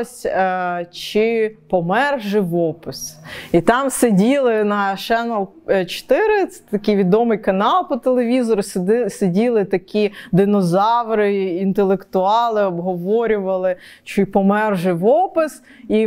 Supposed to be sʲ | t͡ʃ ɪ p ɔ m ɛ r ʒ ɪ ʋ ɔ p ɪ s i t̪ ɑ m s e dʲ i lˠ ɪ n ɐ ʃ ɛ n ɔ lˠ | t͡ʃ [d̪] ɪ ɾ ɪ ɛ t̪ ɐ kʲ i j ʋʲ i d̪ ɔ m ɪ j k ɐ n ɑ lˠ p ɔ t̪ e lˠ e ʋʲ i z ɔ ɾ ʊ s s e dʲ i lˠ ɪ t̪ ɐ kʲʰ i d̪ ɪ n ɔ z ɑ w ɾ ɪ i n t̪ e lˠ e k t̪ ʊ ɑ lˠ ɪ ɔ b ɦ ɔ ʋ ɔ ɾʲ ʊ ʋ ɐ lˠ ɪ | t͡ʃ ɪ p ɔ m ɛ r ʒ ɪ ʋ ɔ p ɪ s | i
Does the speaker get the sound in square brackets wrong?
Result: yes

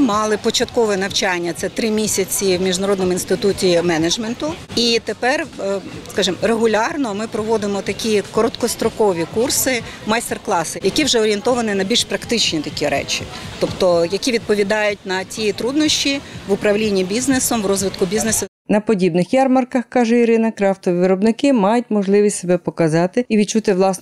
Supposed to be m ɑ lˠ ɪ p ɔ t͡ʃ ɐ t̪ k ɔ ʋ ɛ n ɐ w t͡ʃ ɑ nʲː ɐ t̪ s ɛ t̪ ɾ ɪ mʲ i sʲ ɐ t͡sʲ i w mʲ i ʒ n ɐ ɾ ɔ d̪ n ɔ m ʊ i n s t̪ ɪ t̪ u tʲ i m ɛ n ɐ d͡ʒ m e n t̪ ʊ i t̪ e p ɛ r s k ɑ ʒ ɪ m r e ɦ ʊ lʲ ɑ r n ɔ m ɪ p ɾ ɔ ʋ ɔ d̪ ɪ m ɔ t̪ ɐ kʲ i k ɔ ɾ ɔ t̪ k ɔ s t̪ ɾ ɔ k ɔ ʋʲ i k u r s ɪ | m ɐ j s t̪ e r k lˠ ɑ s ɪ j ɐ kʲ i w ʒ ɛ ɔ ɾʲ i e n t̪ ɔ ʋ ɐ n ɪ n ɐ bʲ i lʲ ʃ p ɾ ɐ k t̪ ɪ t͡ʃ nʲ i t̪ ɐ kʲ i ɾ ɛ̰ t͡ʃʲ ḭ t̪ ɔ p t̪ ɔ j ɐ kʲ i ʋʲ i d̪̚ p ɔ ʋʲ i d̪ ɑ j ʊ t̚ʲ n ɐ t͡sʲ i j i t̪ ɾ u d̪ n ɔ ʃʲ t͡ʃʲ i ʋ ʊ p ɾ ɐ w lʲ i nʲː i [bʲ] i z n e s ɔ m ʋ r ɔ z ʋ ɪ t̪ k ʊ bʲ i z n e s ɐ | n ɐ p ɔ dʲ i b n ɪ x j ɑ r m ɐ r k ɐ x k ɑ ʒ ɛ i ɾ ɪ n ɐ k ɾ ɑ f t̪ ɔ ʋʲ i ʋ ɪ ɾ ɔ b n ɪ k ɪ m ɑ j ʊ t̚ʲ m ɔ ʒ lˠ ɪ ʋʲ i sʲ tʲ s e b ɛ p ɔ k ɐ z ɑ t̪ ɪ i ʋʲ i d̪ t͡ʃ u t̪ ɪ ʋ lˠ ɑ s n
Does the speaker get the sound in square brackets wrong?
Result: no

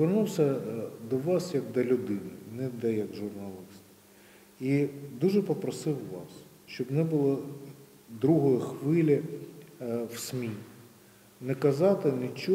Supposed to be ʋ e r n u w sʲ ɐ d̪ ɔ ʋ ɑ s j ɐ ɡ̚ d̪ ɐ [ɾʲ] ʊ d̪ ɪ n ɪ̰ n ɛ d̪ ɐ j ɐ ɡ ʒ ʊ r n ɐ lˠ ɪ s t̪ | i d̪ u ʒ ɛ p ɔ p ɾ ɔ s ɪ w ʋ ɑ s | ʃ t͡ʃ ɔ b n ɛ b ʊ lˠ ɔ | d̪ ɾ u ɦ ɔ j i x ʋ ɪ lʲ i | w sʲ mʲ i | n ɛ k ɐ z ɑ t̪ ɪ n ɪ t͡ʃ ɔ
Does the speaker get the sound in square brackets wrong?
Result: yes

